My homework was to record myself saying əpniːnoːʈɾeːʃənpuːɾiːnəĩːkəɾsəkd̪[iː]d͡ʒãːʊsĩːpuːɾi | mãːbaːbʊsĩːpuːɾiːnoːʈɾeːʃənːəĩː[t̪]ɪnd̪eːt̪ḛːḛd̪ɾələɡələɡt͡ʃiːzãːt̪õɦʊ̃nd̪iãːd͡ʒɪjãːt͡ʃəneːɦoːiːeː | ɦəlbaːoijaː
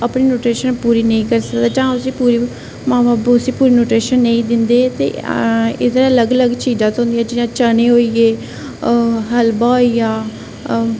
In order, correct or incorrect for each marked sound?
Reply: incorrect, incorrect

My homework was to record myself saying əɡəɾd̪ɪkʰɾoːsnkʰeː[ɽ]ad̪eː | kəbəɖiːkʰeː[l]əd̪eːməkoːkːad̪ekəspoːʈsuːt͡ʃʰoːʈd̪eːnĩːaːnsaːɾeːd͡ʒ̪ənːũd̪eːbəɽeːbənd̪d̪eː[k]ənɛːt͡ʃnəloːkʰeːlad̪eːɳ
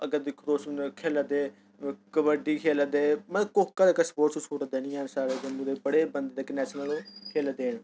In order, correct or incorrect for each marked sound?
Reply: incorrect, correct, correct

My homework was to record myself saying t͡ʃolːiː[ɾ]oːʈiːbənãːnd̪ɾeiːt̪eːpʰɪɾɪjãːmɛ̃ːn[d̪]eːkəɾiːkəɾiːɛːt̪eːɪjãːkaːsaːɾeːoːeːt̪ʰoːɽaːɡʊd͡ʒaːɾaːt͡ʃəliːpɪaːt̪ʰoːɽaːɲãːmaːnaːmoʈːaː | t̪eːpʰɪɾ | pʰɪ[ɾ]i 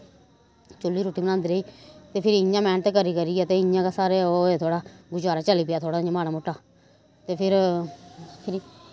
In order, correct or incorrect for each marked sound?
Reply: correct, incorrect, correct

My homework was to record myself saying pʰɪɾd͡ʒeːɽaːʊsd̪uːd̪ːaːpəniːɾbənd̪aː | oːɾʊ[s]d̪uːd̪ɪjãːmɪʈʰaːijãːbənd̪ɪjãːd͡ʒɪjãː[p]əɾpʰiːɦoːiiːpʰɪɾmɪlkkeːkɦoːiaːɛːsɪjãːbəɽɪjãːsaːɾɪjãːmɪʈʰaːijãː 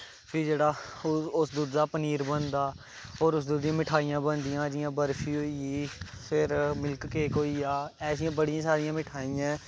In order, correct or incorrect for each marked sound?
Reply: correct, incorrect

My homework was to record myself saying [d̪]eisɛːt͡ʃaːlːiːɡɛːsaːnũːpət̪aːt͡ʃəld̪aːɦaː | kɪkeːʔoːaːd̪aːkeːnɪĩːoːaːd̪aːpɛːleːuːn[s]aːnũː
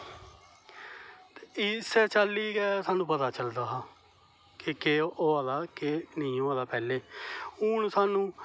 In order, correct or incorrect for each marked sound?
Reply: incorrect, correct

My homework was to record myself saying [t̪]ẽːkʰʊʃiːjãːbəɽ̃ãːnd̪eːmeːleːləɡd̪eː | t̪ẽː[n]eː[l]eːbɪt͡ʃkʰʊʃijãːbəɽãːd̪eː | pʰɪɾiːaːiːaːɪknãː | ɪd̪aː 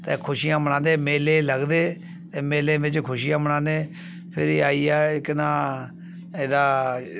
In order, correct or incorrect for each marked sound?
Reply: correct, incorrect, correct

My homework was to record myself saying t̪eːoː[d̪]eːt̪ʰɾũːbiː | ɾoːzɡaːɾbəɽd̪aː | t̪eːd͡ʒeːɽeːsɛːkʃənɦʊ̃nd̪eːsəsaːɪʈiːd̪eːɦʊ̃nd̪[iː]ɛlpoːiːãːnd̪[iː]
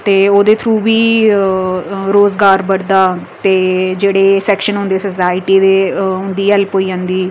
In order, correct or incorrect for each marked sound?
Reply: correct, correct, correct

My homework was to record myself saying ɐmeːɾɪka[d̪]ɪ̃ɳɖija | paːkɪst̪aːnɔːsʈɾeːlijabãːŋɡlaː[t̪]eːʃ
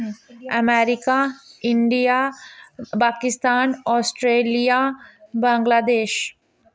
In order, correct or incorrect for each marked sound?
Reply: incorrect, incorrect

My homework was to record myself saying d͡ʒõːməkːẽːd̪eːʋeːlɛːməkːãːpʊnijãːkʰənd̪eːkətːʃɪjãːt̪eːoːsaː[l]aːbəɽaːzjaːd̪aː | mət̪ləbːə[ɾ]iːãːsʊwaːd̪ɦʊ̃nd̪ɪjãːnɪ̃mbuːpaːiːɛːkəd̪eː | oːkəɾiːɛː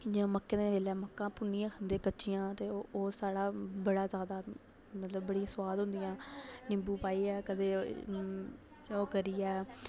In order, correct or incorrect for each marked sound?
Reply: incorrect, incorrect

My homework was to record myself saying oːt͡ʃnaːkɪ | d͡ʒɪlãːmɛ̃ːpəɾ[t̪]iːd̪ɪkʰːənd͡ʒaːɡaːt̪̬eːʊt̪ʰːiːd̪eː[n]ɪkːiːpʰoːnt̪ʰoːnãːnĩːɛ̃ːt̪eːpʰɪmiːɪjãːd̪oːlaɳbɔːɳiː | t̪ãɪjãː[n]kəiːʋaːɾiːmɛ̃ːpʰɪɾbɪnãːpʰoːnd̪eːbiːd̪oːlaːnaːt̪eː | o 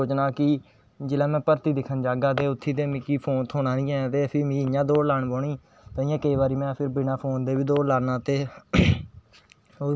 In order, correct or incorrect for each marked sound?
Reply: correct, incorrect, incorrect

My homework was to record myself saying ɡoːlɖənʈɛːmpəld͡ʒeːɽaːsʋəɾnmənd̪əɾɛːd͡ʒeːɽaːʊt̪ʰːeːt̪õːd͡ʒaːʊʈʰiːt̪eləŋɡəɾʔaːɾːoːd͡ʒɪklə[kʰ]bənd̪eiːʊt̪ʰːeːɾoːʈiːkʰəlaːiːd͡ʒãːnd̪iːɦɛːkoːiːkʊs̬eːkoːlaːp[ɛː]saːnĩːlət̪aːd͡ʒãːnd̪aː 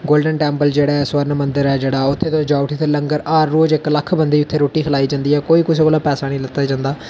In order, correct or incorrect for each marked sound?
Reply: correct, correct

